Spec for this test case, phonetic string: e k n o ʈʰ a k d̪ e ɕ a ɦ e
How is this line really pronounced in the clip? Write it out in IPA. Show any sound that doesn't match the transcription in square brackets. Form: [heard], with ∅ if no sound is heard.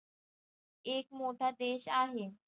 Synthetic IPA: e k [m] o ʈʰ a [∅] d̪ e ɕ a ɦ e